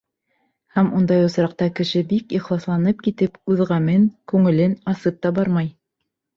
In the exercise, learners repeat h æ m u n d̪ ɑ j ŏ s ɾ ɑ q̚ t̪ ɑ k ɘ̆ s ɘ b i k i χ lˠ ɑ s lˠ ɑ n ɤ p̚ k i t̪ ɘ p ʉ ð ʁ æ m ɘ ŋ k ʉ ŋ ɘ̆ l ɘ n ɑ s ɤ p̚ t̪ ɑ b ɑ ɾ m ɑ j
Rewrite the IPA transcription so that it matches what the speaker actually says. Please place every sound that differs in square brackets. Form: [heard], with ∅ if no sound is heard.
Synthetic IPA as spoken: h æ m u n d̪ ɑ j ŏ s ɾ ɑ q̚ t̪ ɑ k ɘ̆ [ʃ] ɘ b i k i χ lˠ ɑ s lˠ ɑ n ɤ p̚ k i t̪ ɘ p ʉ ð ʁ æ m ɘ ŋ k ʉ ŋ ɘ̆ l ɘ n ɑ s ɤ p̚ t̪ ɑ b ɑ ɾ m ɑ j

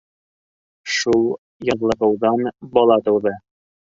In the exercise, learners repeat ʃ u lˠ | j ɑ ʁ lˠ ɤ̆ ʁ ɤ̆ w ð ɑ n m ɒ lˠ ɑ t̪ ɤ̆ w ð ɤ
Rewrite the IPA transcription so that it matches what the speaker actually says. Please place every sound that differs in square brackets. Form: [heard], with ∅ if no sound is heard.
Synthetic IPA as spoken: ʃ u lˠ | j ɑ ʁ lˠ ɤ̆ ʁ ɤ̆ w ð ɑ n [b] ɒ lˠ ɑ t̪ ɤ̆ w ð ɤ

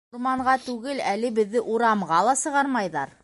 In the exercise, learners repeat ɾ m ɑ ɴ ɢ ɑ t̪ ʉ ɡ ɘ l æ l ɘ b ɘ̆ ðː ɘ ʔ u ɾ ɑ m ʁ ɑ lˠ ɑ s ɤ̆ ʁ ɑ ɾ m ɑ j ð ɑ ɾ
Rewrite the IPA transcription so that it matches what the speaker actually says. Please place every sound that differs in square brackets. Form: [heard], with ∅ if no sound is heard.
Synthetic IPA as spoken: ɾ m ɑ ɴ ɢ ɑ t̪ ʉ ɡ ɘ l æ l ɘ b ɘ̆ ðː ɘ ʔ u ɾ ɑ m ʁ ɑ lˠ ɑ s ɤ̆ ʁ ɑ ɾ m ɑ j ð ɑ ɾ

